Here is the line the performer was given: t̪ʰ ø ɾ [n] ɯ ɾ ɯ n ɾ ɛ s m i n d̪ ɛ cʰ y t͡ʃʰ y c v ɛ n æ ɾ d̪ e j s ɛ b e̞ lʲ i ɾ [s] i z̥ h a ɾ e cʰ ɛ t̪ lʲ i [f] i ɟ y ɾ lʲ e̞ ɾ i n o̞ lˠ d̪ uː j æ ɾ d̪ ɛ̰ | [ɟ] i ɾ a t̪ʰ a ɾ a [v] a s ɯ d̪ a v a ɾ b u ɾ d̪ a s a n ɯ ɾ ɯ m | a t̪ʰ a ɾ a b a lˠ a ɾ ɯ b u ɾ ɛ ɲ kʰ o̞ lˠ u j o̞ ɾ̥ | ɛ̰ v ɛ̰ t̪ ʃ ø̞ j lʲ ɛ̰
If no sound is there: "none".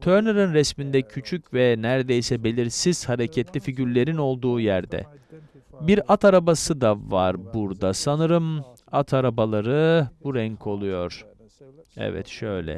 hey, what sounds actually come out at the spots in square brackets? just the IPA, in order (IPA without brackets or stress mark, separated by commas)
n, s, f, b, b